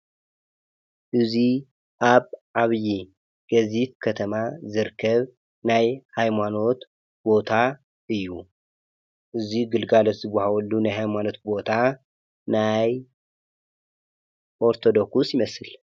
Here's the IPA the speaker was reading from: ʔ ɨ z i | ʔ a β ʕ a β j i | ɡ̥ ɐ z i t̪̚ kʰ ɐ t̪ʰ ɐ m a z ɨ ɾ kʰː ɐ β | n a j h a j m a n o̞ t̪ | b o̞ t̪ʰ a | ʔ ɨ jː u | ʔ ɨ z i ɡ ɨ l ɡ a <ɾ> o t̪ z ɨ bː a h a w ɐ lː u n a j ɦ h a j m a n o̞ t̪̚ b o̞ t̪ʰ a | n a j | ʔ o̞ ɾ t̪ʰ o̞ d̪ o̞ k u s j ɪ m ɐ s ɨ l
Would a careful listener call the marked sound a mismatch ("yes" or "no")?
yes